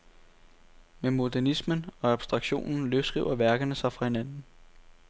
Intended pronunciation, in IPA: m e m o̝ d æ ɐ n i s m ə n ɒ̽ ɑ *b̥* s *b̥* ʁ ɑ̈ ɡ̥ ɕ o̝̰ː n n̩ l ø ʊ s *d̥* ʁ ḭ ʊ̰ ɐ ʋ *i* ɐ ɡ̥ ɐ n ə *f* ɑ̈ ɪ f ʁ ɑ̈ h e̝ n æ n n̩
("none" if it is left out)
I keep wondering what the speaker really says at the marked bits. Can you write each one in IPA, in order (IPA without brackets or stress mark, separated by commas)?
b̥, d̥, ɡ̥, æ, s